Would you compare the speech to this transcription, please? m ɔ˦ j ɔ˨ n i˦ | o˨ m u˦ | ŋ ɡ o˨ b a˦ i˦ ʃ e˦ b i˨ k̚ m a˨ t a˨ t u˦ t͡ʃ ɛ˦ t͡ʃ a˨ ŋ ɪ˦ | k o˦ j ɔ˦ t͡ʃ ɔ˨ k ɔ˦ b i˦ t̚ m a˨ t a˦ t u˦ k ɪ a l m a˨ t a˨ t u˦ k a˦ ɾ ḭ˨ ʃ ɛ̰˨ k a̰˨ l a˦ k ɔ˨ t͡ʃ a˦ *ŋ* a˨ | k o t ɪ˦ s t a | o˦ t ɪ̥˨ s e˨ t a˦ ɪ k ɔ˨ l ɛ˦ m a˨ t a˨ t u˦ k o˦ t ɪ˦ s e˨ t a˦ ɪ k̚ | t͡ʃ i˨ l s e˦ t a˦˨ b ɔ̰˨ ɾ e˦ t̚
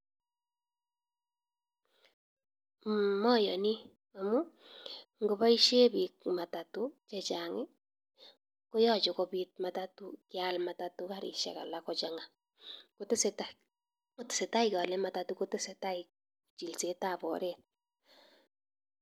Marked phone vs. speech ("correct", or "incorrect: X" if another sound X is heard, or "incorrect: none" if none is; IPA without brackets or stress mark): correct